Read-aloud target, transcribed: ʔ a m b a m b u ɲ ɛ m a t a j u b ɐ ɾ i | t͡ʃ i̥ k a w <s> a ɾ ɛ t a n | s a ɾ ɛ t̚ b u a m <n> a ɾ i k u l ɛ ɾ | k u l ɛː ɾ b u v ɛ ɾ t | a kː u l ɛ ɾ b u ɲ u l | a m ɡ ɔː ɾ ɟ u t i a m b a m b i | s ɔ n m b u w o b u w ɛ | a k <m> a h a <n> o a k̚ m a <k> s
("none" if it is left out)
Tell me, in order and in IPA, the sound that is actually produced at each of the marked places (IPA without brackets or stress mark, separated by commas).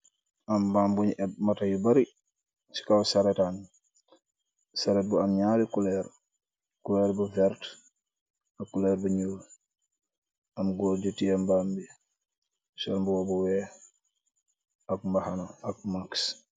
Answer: s, ɲ, m, n, k